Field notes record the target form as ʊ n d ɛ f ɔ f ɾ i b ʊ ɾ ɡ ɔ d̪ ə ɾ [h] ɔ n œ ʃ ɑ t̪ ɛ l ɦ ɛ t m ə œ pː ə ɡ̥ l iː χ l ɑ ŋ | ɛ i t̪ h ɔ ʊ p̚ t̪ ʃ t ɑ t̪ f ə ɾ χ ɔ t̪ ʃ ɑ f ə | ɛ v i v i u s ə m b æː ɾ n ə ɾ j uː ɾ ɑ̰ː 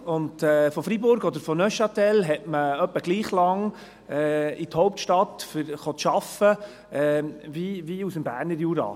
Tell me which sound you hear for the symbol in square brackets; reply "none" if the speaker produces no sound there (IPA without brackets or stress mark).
f